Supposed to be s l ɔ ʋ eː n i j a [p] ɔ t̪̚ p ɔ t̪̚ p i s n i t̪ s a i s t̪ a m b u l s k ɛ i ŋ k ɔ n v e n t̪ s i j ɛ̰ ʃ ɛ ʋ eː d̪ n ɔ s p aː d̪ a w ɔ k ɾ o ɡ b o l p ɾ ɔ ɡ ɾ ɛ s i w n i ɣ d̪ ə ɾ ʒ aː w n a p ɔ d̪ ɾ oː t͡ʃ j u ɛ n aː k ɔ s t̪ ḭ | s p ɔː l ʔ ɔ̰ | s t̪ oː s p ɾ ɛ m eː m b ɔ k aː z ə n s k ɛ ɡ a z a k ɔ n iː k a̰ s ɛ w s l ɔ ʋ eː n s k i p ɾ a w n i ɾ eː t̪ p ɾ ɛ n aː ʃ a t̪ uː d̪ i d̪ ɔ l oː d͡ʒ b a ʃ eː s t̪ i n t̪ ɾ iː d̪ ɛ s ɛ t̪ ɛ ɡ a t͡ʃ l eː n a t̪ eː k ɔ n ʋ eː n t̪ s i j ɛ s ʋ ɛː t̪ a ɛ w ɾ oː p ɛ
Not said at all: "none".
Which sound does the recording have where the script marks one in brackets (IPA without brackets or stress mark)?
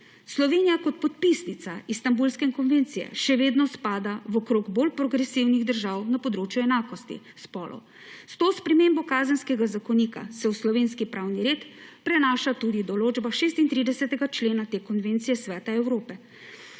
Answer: k